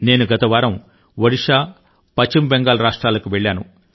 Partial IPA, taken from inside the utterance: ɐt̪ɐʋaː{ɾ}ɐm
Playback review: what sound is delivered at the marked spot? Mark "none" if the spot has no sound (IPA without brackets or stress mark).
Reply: ɾ